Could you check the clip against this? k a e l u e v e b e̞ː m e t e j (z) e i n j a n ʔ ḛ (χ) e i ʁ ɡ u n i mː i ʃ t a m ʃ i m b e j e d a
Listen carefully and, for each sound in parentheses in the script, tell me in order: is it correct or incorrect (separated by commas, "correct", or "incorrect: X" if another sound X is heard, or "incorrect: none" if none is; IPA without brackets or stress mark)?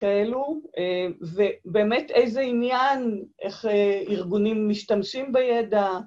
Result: correct, correct